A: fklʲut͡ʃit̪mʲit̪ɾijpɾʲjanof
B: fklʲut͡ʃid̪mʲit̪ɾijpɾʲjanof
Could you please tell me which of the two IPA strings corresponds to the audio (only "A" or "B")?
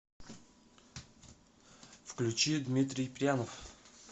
B